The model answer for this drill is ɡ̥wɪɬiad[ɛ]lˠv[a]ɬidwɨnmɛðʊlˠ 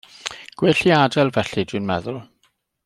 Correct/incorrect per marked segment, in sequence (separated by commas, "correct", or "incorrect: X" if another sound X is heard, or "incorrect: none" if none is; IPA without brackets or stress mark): correct, incorrect: ɛ